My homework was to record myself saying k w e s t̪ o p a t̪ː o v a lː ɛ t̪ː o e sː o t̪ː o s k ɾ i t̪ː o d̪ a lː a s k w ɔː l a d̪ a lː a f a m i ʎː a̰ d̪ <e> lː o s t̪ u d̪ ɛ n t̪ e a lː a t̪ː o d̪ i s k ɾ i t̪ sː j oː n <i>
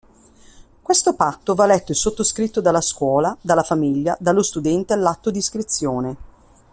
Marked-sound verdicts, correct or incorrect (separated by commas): incorrect, incorrect